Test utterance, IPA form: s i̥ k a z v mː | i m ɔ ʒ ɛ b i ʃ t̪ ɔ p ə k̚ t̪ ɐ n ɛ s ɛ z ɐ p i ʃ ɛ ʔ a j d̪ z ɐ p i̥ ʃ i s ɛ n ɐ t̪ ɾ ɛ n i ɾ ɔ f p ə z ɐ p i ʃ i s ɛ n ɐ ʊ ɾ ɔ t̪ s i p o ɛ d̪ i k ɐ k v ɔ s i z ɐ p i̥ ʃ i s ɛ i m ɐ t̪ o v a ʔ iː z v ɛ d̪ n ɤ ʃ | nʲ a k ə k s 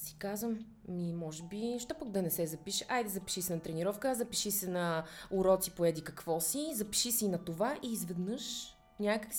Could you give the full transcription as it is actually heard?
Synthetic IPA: s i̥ k a z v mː | i m ɔ ʒ ɛ b i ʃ t̪ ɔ p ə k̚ d̪ ɐ n ɛ s ɛ z ɐ p i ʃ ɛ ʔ a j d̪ z ɐ p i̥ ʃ i s ɛ n ɐ t̪ ɾ ɛ n i ɾ ɔ f k ə z ɐ p i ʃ i s ɛ n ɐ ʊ ɾ ɔ t̪ s i p o ɛ d̪ i k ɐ k v ɔ s i z ɐ p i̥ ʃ i s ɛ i n ɐ t̪ o v a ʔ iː z v ɛ d̪ n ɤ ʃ | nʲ a k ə k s